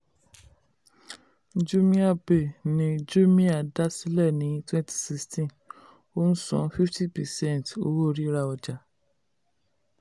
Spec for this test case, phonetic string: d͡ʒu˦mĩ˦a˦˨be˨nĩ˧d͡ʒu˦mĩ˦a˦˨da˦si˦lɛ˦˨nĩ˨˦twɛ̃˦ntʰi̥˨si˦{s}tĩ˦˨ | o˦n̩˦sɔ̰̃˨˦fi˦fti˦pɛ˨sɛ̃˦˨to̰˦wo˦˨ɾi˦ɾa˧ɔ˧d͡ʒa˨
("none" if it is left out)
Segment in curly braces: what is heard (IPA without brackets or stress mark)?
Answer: s